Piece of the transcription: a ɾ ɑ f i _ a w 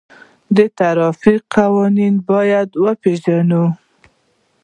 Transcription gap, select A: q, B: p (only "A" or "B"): A